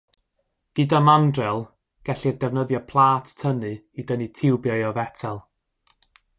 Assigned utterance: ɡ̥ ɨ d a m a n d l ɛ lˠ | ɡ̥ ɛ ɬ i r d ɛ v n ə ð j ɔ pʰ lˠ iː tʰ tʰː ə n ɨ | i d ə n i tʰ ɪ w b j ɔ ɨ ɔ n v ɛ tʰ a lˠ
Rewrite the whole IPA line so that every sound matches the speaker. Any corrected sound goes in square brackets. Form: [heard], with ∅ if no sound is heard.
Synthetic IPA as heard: ɡ̥ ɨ d a m a n d [r] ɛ lˠ | ɡ̥ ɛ ɬ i r d ɛ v n ə ð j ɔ pʰ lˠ [aː] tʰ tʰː ə n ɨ | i d ə n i tʰ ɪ w b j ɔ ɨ ɔ [∅] v ɛ tʰ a lˠ